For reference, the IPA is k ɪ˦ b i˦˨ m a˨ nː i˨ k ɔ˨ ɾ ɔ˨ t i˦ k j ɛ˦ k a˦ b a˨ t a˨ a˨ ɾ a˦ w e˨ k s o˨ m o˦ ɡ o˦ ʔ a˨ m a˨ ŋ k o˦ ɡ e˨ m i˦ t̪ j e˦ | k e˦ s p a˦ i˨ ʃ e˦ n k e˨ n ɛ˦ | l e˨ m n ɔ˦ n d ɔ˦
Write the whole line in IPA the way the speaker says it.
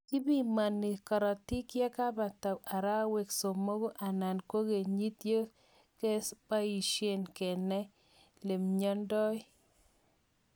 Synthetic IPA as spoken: k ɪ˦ b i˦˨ m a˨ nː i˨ k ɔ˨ ɾ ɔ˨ t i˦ k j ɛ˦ k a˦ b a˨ t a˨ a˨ ɾ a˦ w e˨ k s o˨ m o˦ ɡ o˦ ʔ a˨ n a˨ n k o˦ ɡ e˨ ɲ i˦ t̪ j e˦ | k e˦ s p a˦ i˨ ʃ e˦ n k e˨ n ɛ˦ | l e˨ m ɲ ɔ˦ n d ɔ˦